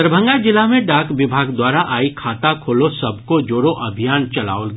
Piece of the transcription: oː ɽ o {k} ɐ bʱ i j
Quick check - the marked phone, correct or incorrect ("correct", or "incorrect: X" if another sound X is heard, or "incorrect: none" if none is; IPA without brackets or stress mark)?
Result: incorrect: ʔ